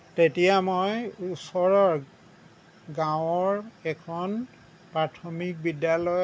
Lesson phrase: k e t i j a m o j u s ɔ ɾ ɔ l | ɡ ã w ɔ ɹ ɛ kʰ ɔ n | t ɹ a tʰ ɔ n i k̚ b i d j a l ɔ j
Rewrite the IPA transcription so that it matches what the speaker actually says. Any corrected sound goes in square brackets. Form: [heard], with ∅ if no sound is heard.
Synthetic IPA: [t] e t i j a m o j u s ɔ [ɹ] ɔ [ɹ] | ɡ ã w ɔ ɹ ɛ kʰ ɔ n | [p] ɹ a tʰ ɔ [m] i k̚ b i d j a l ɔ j